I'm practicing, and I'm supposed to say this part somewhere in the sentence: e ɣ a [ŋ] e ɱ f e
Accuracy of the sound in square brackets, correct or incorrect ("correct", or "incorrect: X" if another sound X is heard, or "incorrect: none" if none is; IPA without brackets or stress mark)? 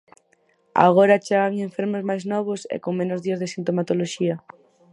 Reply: correct